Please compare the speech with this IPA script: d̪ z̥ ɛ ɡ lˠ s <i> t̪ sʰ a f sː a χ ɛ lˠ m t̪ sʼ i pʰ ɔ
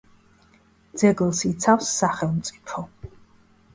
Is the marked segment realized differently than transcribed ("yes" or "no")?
no